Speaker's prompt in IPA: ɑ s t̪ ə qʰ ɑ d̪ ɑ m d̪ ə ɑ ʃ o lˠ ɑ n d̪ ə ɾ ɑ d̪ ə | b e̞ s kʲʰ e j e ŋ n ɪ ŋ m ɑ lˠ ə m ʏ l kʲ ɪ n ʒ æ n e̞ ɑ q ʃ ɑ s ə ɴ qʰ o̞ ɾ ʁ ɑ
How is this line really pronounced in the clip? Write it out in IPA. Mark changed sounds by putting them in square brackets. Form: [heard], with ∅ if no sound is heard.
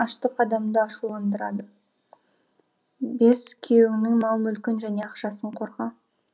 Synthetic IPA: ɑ [ʃ] t̪ ə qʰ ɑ d̪ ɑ m d̪ ə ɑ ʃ [u] lˠ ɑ n d̪ ə ɾ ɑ d̪ ə | b e̞ s kʲʰ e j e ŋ n ɪ ŋ m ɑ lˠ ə m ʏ l kʲ ɪ n ʒ æ n e̞ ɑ q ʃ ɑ s ə ɴ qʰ o̞ ɾ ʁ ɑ